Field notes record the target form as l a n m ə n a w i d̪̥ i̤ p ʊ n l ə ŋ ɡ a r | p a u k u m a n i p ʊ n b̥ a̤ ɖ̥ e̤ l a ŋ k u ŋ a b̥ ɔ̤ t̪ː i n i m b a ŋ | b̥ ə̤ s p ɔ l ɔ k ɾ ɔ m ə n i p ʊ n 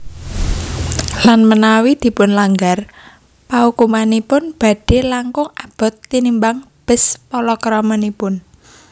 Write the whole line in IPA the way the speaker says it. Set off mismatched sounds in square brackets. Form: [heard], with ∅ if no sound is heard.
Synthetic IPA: l a n m ə n a w i d̪̥ i̤ p ʊ n l [a] ŋ ɡ a r | p a u k u m a n i p ʊ n b̥ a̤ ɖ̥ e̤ l a ŋ k [ʊ] ŋ a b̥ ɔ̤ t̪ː i n i m b a ŋ | b̥ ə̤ s p ɔ l ɔ k ɾ ɔ m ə n i p ʊ n

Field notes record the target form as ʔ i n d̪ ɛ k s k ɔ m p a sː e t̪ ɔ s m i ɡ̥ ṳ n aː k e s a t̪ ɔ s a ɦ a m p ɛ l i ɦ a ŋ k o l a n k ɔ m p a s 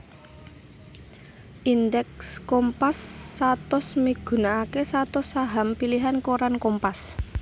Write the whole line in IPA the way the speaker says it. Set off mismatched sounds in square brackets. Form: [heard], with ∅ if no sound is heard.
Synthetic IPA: ʔ i n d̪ ɛ k s k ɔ m p a sː [a] t̪ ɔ s m i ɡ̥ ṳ n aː k e s a t̪ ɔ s a ɦ a m p [i] l i ɦ a [n] k o [ɾ] a n k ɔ m p a s

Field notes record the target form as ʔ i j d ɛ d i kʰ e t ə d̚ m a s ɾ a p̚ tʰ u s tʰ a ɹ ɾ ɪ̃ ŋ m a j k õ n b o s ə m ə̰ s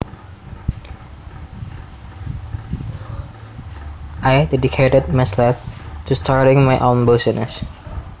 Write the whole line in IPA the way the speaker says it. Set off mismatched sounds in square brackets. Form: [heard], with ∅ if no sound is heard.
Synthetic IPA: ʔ [a] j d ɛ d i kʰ e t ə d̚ m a s [l] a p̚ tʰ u s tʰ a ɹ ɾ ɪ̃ ŋ m a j [ʔ] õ n b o s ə [n] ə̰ s

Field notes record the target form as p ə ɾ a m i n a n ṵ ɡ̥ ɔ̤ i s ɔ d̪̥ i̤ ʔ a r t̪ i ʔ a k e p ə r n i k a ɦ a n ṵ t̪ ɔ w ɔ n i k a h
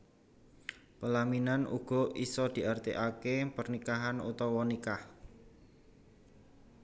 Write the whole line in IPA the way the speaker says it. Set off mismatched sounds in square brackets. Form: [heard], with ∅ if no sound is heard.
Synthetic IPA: p ə [l] a m i n a n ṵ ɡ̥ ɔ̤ i s ɔ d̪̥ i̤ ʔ a r t̪ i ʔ a k e p ə r n i k a ɦ a n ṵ t̪ ɔ w ɔ n i k a h

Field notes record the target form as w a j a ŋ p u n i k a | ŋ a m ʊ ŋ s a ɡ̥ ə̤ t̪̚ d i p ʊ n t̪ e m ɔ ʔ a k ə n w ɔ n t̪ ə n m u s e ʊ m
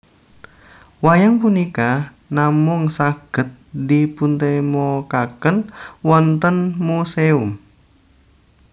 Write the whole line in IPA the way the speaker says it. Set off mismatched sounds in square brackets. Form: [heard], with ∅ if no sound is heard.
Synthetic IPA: w a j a ŋ p u n i k a | [n] a m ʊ ŋ s a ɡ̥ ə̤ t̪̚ d i p [u] n t̪ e m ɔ [k] a k ə n w ɔ n t̪ ə n m u s e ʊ m

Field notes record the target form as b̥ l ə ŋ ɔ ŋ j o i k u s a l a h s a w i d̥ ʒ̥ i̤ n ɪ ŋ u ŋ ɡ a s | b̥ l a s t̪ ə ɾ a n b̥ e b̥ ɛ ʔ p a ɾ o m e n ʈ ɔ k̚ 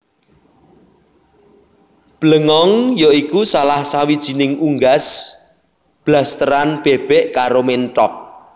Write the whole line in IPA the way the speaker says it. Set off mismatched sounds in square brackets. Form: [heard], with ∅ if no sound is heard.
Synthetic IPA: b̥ l ə ŋ ɔ ŋ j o i k u s a l a h s a w i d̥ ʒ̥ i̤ n ɪ ŋ u ŋ ɡ a s | b̥ l a s t̪ ə ɾ a n b̥ e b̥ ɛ ʔ [k] a ɾ o m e n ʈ ɔ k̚

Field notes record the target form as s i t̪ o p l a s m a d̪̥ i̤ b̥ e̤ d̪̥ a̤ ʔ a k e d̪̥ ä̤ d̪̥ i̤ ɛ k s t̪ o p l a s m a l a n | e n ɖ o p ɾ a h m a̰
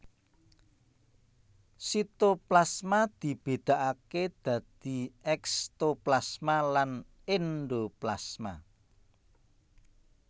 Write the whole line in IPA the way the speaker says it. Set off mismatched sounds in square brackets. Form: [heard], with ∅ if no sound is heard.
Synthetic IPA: s i t̪ o p l a s m a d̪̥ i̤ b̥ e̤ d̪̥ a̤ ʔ a k e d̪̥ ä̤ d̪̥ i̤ ɛ k s t̪ o p l a s m a l a n | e n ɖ o p [l] a [s] m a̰

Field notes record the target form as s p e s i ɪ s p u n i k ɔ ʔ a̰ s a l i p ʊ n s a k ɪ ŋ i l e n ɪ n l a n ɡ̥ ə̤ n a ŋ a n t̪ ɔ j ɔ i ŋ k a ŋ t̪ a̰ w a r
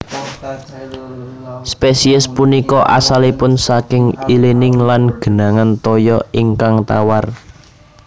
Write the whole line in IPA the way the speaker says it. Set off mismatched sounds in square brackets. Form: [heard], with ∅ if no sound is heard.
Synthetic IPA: s p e s i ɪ s p u n i k ɔ ʔ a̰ s a l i p ʊ n s a k ɪ ŋ i l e n ɪ [ŋ] l a n ɡ̥ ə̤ n a ŋ a n t̪ ɔ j ɔ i ŋ k a ŋ t̪ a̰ w a r

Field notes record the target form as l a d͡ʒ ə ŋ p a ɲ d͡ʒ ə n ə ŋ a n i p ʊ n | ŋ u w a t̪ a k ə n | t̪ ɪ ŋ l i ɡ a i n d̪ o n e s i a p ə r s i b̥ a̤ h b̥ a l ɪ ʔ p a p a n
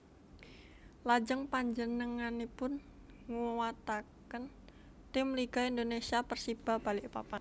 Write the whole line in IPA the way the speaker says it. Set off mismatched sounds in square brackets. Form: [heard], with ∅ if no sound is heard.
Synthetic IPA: l a d͡ʒ ə ŋ p a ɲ d͡ʒ ə n ə ŋ a n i p ʊ n | ŋ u w a t̪ a k ə n | t̪ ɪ [m] l i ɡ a i n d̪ o n e s i a p ə r s i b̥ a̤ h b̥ a l ɪ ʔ p a p a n

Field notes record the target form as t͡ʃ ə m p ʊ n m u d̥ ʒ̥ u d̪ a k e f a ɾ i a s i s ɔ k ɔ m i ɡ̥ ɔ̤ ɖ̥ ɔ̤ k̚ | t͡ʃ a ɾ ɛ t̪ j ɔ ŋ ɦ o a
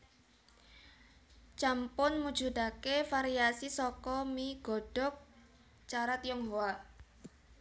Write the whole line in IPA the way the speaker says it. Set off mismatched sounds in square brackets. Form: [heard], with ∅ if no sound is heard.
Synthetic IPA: t͡ʃ [a] m p ʊ n m u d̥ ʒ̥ u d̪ a k e f a ɾ i a s i s ɔ k ɔ m i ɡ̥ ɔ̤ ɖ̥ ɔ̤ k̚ | t͡ʃ a ɾ [a] t̪ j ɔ ŋ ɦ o a

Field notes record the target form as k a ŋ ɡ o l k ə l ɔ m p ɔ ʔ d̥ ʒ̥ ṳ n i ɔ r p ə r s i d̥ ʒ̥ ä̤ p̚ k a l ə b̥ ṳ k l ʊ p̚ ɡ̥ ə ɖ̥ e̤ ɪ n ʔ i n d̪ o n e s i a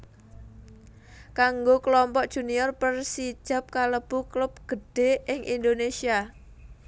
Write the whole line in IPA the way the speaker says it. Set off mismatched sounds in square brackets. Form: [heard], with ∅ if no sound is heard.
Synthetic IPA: k a ŋ ɡ o [∅] k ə l ɔ m p ɔ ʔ d̥ ʒ̥ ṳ n i ɔ r p ə r s i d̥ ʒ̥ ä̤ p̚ k a l ə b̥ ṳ k l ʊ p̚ ɡ̥ ə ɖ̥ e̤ ɪ [ŋ] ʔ i n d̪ o n e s i a

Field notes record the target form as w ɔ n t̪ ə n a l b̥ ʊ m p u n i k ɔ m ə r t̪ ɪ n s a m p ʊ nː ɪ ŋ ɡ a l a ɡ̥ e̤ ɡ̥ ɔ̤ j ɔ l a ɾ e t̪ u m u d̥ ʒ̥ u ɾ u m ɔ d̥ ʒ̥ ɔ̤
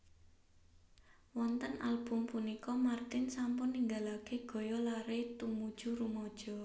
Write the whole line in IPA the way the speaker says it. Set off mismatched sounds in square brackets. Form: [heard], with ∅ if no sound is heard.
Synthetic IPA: w ɔ n t̪ ə n a l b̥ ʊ m p u n i k ɔ m [a] r t̪ ɪ n s a m p ʊ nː [i] ŋ ɡ a l a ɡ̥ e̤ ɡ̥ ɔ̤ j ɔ l a ɾ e t̪ u m u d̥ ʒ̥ u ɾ u m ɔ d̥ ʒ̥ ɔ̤

